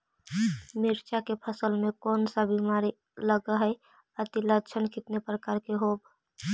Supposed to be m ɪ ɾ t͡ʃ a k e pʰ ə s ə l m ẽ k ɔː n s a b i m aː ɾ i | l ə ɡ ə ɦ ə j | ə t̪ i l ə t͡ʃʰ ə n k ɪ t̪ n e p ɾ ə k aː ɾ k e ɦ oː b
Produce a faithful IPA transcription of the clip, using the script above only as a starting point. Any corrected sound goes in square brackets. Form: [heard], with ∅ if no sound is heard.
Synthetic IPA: m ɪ ɾ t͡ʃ a k e pʰ ə s ə l m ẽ k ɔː n s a b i m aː ɾ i | l ə ɡ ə ɦ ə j | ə t̪ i l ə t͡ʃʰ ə n k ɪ t̪ n e p ɾ ə k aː ɾ k e ɦ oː b